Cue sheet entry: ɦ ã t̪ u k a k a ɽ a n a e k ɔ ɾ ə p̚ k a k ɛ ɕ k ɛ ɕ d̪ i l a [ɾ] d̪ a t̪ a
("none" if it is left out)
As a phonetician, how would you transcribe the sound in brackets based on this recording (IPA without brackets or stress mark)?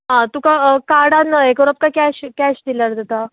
ɾ